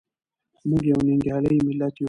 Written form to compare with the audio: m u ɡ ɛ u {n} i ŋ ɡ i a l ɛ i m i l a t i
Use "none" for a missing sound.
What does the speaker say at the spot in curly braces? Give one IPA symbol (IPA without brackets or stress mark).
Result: n